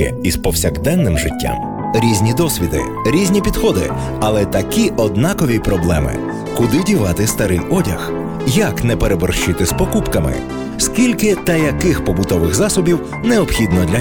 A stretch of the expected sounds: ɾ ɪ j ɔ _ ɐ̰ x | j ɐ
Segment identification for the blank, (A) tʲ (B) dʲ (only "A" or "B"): B